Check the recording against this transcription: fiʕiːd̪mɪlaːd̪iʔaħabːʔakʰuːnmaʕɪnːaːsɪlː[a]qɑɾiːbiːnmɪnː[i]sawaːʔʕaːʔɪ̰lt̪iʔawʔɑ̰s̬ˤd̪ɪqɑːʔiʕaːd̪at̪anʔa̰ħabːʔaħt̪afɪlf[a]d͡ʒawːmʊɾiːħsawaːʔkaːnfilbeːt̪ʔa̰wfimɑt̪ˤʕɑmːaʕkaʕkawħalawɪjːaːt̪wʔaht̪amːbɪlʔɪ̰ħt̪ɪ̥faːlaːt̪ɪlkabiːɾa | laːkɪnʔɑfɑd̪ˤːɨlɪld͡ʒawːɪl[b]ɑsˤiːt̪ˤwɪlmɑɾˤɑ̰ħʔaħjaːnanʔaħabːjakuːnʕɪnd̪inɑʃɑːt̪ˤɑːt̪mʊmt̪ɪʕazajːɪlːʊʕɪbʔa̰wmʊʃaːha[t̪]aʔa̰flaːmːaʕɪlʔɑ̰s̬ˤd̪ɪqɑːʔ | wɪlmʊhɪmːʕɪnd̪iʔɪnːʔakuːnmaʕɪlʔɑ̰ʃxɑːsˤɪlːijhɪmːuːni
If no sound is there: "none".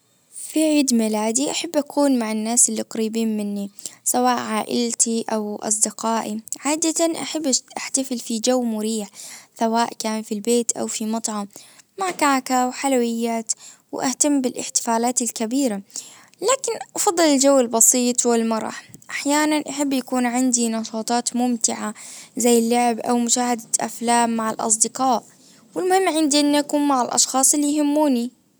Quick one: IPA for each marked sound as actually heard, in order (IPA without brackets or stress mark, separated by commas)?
i, i, i, b, d̪